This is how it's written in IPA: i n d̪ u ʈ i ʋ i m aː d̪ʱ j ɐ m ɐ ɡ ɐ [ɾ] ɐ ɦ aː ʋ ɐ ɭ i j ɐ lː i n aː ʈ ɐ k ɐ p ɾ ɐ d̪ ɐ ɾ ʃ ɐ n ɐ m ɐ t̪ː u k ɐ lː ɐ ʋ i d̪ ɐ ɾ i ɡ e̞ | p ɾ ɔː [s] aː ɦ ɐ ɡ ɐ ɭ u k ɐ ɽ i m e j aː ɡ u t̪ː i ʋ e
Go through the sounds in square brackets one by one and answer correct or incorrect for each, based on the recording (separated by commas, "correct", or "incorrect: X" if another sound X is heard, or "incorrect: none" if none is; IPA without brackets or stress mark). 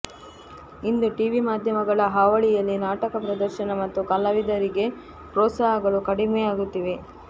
incorrect: ɭ, correct